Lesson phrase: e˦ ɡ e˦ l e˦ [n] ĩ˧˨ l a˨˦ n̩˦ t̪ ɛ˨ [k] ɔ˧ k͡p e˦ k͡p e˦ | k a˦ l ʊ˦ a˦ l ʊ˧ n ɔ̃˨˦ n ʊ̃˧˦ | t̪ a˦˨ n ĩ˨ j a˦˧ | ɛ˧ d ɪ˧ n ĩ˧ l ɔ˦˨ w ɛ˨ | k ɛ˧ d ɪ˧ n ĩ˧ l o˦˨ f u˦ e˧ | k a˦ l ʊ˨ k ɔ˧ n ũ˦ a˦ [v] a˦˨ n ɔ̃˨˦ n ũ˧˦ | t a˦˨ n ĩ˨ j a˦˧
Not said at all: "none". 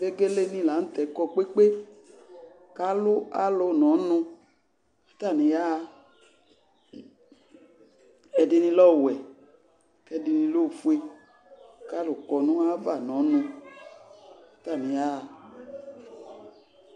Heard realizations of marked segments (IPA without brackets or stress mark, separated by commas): n, k, v